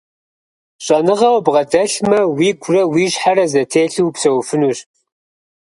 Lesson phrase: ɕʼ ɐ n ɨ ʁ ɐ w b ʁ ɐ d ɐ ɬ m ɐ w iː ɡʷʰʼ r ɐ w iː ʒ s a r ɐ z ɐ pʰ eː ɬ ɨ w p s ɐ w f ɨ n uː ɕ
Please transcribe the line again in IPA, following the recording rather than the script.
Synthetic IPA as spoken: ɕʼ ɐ n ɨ ʁ ɐ w b ʁ ɐ d ɐ ɬ m ɐ w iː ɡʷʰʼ r ɐ w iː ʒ ħ a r ɐ z ɐ tʰ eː ɬ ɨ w p s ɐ w f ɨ n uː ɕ

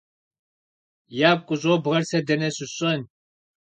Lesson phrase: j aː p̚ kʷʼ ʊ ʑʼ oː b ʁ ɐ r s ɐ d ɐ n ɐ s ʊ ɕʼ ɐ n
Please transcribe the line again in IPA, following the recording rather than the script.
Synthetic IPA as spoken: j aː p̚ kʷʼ ʊ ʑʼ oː b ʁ ɐ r s ɐ d ɐ n ɐ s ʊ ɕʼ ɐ n

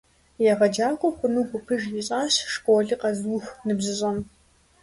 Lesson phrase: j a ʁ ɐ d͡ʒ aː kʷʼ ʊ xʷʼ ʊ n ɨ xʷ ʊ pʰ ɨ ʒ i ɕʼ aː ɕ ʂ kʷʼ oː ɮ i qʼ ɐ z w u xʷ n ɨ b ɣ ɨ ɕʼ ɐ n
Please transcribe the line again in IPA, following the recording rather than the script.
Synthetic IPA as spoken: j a ʁ ɐ d͡ʒ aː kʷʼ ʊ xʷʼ ʊ n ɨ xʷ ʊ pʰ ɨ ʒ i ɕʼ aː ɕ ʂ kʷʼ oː ɮ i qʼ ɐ z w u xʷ n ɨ b z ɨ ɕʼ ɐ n

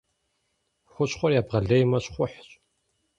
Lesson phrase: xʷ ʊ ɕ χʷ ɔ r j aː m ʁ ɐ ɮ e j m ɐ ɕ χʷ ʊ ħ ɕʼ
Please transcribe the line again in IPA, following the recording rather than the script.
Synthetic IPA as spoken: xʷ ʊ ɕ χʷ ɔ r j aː b ʁ ɐ ɮ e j m ɐ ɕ χʷ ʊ ħ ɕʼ

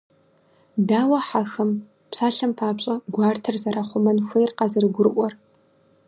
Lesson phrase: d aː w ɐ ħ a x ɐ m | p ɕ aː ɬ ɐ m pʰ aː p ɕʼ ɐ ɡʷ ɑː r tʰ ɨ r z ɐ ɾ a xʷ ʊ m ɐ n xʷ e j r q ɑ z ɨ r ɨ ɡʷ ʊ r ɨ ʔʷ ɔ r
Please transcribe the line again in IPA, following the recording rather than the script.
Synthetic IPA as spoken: d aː w ɐ ħ a x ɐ m | p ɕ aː ɬ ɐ m pʰ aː p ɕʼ ɐ ɡʷ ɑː r tʰ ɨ r z ɐ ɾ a χʷ ʊ m ɐ n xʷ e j r q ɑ z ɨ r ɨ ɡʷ ʊ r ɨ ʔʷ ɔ r

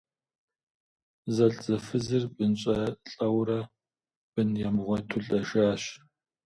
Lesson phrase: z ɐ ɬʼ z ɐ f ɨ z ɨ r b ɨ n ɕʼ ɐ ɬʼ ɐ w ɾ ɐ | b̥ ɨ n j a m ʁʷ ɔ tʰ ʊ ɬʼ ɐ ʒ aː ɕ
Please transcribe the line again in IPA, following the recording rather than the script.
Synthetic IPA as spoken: z ɐ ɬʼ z ɐ f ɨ z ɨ r b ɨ n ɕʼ ɐ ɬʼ ɐ w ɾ ɐ | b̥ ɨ n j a m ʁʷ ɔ tʰ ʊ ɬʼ ɐ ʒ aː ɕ

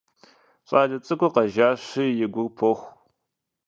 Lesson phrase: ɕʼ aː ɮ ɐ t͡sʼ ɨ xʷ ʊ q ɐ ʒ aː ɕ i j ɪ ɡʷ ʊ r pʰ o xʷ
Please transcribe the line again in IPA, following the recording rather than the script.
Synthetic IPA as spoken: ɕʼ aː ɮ ɐ t͡sʼ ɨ kʷ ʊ q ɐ ʒ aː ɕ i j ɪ ɡʷ ʊ r pʰ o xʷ

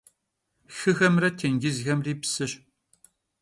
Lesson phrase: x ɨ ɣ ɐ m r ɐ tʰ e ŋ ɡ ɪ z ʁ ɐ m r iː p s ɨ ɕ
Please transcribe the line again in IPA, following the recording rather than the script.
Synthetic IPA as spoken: x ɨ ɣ ɐ m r ɐ tʰ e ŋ ɡ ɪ z ɣ ɐ m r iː p s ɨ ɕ

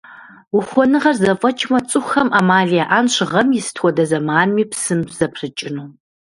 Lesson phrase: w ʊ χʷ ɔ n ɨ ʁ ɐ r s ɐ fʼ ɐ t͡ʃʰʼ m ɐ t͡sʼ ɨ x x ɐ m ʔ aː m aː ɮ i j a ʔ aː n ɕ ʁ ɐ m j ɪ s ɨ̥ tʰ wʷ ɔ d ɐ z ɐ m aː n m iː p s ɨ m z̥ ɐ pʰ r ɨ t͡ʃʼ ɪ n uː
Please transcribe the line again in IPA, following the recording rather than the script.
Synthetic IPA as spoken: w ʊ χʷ ɔ n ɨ ʁ ɐ r z ɐ fʼ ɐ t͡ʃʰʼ m ɐ t͡sʼ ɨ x x ɐ m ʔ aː m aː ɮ i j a ʔ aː n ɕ ʁ ɐ m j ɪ s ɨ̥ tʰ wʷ ɔ d ɐ z ɐ m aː n m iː p s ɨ m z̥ ɐ pʰ r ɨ t͡ʃʼ ɪ n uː

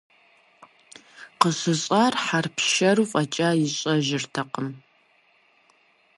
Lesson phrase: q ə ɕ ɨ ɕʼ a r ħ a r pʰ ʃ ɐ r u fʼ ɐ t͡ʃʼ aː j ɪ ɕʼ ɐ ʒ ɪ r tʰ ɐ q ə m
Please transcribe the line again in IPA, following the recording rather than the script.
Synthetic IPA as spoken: q ə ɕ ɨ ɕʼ a r ħ a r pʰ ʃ ɐ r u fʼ ɐ t͡ʃʼ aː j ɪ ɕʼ ɐ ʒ ɪ r tʰ ɐ q ə m

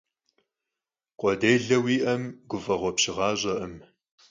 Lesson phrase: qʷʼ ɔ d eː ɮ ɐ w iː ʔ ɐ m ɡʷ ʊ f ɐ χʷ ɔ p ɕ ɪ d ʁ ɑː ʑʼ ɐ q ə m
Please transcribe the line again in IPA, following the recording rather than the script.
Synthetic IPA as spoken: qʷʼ ɔ d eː ɮ ɐ w iː ʔ ɐ m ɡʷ ʊ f ɐ ʁʷ ɔ p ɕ ɪ ʁ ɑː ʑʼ ɐ ʔ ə m

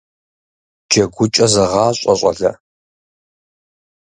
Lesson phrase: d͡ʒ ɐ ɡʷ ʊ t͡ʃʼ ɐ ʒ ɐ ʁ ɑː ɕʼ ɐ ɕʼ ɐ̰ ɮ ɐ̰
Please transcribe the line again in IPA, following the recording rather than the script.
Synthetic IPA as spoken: d͡ʒ ɐ ɡʷ ʊ t͡ʃʼ ɐ z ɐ ʁ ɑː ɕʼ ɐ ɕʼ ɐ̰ ɮ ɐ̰

